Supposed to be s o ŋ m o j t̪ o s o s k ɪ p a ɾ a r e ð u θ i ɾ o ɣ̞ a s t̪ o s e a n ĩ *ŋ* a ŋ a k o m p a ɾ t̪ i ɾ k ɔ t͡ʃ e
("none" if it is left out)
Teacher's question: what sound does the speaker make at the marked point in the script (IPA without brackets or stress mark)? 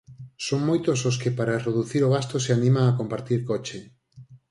m